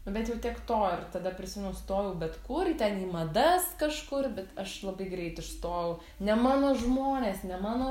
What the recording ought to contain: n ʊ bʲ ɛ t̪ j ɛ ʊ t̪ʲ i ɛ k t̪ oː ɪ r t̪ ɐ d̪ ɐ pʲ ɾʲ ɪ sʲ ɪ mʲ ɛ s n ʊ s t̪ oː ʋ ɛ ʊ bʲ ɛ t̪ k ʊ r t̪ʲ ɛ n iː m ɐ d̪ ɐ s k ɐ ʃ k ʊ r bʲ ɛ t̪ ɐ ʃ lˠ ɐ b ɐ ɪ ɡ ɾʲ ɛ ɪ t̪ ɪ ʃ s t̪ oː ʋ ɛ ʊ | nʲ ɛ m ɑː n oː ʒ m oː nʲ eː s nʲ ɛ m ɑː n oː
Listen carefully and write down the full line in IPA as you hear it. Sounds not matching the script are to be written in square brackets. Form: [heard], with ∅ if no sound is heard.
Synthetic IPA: n ʊ bʲ ɛ t̪ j ɛ ʊ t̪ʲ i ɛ k t̪ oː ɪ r t̪ ɐ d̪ ɐ pʲ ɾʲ ɪ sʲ ɪ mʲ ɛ [∅] n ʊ s t̪ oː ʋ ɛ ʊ bʲ ɛ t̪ k ʊ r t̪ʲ ɛ n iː m ɐ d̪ ɐ s k ɐ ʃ k ʊ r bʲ ɛ t̪ ɐ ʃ lˠ ɐ b ɐ ɪ ɡ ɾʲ ɛ ɪ t̪ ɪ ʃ s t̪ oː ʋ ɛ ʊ | nʲ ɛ m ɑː n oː ʒ m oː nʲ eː s nʲ ɛ m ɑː n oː